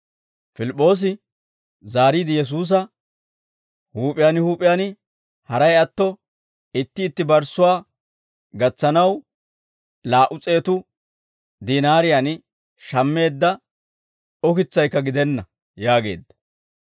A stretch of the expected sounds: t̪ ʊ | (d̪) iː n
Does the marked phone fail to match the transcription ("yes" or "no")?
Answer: no